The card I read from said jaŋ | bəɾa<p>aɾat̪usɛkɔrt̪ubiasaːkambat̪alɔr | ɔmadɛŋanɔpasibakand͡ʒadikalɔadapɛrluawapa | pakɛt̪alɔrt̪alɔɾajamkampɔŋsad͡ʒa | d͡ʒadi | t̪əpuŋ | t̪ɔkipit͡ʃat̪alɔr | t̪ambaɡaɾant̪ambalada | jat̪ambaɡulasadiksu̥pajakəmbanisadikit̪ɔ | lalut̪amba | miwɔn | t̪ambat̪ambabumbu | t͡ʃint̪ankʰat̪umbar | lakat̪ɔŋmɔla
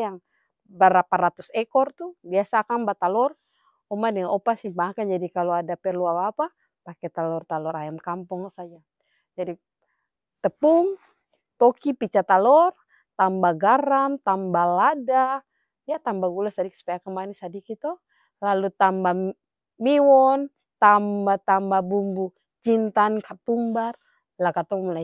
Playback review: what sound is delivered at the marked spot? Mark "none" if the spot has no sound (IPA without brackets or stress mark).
p